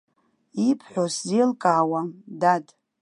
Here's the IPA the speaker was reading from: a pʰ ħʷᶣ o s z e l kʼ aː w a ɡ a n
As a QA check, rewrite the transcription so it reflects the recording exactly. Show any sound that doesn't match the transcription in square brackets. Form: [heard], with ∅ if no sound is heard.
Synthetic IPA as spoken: [i] pʰ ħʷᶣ o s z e l kʼ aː w a [d] a [d]